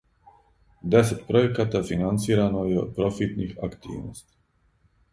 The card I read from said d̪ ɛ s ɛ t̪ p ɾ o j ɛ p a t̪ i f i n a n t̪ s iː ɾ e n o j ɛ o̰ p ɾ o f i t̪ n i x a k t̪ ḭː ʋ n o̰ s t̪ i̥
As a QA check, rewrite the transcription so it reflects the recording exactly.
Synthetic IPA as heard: d̪ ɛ s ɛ t̪ p ɾ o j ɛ k a t̪ a f i n a n t̪ s iː ɾ a n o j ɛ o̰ p ɾ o f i t̪ n i x a k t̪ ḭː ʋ n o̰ s t̪ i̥